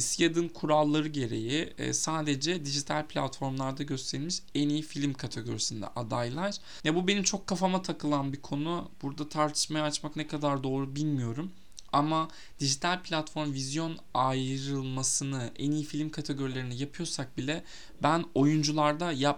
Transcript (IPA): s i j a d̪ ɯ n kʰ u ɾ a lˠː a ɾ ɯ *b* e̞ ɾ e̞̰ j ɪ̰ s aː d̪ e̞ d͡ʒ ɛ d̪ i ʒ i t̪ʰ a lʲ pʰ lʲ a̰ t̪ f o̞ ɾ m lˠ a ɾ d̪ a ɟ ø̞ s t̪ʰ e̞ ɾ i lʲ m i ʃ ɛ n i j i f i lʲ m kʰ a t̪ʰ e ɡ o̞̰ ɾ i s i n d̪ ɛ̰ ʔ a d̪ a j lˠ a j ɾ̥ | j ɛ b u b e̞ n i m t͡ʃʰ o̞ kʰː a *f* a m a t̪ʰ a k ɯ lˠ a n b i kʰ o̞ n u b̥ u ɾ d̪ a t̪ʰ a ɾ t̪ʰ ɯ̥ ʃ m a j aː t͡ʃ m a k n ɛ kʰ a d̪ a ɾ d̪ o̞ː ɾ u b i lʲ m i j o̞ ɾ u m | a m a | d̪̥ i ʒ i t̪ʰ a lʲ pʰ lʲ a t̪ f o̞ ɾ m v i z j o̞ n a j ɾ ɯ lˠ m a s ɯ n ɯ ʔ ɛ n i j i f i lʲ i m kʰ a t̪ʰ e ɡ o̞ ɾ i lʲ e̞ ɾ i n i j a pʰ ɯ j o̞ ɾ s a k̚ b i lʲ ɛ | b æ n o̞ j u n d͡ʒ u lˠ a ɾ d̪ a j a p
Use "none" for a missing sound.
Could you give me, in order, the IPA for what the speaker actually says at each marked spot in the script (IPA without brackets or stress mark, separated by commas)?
ɟ, f